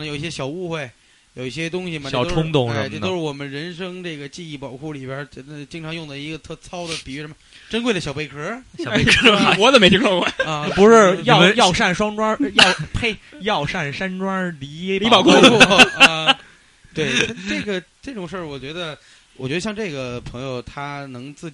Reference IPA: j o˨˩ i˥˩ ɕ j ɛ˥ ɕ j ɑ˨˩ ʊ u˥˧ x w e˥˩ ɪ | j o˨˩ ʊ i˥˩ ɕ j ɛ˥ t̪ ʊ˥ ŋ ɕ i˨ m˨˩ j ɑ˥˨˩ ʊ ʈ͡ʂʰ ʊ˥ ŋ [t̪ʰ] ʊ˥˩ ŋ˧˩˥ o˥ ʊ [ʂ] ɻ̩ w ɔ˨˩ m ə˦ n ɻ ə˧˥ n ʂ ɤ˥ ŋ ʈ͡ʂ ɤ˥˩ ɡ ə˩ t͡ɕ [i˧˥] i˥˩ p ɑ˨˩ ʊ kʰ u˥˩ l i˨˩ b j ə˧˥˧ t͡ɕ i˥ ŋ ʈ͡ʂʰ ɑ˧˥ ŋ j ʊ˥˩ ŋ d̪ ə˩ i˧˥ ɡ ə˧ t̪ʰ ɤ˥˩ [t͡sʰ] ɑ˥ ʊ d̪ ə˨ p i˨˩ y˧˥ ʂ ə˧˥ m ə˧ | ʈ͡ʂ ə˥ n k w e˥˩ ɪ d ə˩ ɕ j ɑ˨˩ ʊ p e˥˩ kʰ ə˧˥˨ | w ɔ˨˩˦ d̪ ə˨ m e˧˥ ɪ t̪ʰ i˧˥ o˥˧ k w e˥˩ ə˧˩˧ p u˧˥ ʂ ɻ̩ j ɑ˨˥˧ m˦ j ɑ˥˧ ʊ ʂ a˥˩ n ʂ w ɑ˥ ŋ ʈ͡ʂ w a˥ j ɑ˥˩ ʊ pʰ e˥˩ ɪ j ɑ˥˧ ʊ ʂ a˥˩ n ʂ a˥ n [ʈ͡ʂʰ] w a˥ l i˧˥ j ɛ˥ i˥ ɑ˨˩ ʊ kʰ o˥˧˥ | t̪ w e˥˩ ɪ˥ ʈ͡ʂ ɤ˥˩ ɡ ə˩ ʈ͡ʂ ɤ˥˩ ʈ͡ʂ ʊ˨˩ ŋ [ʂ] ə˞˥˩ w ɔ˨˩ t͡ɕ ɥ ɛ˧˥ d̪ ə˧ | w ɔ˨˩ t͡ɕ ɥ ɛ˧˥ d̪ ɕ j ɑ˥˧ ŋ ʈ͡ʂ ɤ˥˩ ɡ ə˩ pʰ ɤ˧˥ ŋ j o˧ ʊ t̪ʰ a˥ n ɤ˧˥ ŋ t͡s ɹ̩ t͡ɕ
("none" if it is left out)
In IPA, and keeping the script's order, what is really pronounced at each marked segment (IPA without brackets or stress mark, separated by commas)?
t̪, ʂ, i˥˧, t͡sʰ, ʈ͡ʂ, ʂ